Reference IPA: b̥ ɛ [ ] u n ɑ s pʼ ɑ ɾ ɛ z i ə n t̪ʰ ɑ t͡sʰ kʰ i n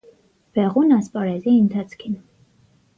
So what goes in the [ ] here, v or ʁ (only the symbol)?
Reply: ʁ